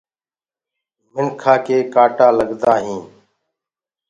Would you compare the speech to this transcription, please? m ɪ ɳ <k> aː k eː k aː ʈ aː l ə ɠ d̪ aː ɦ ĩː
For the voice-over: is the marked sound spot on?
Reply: no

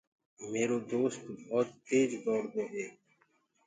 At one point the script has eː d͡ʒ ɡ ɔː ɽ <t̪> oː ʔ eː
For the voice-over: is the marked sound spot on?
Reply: no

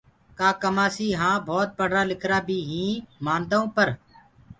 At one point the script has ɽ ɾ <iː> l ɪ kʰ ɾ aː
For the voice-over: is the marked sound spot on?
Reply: no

